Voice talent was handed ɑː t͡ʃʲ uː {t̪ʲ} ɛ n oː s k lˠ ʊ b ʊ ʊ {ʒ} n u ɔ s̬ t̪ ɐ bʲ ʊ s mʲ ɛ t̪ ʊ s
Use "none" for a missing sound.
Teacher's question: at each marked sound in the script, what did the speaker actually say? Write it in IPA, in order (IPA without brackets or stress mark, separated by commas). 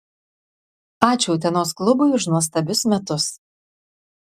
t̪ʲ, ʃ